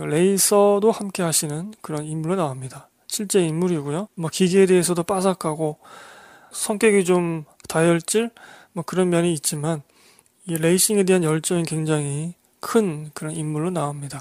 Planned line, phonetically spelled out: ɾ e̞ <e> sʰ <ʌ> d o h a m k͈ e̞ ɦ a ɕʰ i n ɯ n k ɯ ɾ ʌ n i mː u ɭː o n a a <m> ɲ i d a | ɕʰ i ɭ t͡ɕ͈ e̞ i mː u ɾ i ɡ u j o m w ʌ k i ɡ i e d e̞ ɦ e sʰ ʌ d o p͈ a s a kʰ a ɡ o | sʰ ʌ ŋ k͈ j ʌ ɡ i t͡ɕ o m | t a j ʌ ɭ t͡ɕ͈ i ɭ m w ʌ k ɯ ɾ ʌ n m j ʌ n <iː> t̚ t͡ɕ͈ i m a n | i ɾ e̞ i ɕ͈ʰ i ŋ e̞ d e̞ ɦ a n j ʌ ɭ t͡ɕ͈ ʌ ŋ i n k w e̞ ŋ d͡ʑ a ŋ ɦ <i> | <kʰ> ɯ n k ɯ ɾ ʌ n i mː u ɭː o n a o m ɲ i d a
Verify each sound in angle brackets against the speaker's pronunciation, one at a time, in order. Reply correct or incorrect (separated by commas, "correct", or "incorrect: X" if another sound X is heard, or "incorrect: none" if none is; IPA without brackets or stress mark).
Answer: incorrect: i, correct, correct, correct, correct, correct